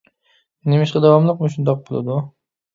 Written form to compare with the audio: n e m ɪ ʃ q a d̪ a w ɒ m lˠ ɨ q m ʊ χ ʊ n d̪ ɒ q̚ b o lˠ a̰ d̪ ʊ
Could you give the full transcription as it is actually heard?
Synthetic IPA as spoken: n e m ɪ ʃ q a d̪ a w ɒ m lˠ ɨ q m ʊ ʃ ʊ n d̪ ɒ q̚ b o lˠ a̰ d̪ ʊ